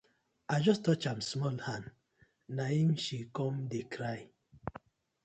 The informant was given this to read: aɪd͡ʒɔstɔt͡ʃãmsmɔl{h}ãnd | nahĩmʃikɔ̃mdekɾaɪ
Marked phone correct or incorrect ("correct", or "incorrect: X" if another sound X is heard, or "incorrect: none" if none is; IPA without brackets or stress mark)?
correct